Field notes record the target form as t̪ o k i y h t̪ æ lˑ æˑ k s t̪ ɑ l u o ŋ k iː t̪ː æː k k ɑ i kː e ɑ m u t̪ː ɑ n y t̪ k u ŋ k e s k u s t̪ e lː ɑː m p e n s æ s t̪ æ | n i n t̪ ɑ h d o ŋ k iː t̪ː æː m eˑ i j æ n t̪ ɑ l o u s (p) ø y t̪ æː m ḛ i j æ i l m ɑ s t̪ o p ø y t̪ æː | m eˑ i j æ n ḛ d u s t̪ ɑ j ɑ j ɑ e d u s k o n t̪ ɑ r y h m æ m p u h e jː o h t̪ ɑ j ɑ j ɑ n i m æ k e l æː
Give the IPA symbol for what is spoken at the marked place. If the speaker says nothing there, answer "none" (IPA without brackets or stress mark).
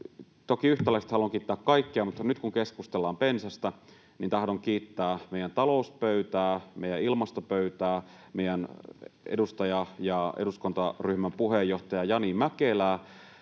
p